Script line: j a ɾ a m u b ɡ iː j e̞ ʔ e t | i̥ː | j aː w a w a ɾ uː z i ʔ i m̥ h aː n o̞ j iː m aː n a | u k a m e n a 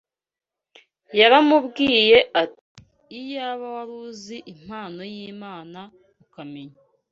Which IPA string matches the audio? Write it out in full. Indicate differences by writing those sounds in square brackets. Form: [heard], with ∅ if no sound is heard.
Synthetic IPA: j a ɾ a m u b ɡ iː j e̞ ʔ [a] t | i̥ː | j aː [β] a w a ɾ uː z i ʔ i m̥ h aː n o̞ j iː m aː n a | u k a m e [ɲ] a